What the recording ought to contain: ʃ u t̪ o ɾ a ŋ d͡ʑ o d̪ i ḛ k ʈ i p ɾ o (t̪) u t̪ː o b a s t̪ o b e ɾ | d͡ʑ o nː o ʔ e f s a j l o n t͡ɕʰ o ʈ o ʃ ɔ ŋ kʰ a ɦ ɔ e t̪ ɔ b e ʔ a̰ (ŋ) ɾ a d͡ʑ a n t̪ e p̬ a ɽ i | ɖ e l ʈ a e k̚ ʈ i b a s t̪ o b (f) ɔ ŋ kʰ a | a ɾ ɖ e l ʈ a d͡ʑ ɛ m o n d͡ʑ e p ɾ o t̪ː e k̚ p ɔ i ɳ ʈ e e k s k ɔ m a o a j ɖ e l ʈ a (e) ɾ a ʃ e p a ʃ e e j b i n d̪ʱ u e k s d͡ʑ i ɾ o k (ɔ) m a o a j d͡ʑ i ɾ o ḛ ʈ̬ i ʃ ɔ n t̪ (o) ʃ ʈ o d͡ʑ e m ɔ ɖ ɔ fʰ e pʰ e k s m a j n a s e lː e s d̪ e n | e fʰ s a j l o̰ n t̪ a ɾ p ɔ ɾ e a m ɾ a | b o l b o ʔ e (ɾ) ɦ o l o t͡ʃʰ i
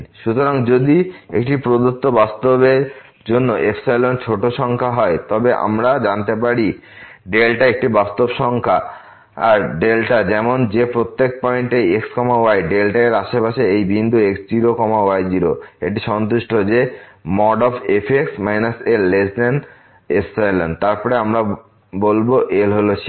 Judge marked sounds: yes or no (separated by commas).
no, no, no, yes, yes, no, no